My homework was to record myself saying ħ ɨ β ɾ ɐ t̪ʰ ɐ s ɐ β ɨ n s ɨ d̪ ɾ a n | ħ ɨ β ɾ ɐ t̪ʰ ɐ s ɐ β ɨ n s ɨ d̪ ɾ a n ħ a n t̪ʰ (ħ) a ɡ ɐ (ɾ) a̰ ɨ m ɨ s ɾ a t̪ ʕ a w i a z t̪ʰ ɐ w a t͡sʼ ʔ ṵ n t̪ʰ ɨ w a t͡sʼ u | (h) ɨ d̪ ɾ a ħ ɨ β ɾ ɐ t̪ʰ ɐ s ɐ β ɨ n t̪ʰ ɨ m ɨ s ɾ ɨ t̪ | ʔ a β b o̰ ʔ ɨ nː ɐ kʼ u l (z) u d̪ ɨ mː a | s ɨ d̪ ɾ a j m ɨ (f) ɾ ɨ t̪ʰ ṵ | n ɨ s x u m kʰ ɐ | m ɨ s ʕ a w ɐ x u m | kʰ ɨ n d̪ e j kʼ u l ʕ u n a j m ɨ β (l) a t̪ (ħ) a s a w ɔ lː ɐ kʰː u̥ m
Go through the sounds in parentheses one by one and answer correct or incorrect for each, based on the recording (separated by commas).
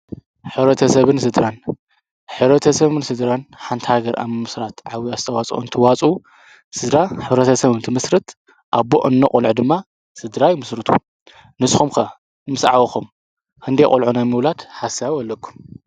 incorrect, correct, incorrect, incorrect, incorrect, correct, correct